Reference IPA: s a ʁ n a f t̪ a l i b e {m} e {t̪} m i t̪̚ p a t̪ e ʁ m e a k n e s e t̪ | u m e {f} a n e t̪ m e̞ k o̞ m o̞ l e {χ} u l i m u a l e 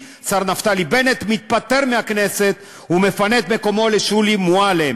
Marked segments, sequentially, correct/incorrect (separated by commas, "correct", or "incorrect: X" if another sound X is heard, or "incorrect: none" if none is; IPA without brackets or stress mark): incorrect: n, correct, correct, incorrect: ʃ